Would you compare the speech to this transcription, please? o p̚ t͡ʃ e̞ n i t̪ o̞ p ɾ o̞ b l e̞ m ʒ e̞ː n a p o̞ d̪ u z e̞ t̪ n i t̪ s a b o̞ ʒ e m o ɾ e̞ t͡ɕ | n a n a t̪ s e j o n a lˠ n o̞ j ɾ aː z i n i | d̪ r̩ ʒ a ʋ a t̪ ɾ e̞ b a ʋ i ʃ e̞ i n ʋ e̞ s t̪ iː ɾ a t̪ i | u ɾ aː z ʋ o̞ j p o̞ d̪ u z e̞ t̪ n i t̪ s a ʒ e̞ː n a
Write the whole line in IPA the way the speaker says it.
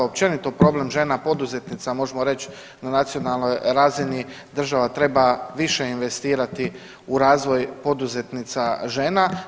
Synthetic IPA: o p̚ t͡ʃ e̞ n i t̪ o̞ p ɾ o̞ b l e̞ m ʒ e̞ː n a p o̞ d̪ u z e̞ t̪ n i t̪ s a m o̞ ʒ e m o ɾ e̞ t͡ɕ | n a n a t̪ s i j o n a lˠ n o̞ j ɾ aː z i n i | d̪ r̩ ʒ a ʋ a t̪ ɾ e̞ b a ʋ i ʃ e̞ i n ʋ e̞ s t̪ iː ɾ a t̪ i | u ɾ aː z ʋ o̞ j p o̞ d̪ u z e̞ t̪ n i t̪ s a ʒ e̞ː n a